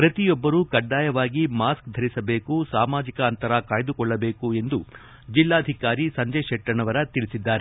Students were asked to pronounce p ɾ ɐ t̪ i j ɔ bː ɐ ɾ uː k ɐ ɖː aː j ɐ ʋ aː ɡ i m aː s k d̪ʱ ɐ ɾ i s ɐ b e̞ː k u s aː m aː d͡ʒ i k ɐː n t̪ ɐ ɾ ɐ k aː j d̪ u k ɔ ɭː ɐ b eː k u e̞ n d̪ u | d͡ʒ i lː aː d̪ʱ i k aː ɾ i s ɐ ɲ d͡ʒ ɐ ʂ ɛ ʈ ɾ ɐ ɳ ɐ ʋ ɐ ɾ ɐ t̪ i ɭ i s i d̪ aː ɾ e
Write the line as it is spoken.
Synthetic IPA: p ɾ ɐ t̪ i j ɔ bː ɐ ɾ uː k ɐ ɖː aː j ɐ ʋ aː ɡ i m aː s k d̪ʱ ɐ ɾ i s ɐ b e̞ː k u s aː m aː d͡ʒ i k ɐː n t̪ ɐ ɾ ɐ k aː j d̪ u k ɔ ɭː ɐ b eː k u e̞ n d̪ u | d͡ʒ i lː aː d̪ʱ i k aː ɾ i s ɐ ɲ d͡ʒ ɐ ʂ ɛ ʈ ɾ ɐ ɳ ɐ ʋ ɐ ɾ ɐ t̪ i ɭ i s i d̪ː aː ɾ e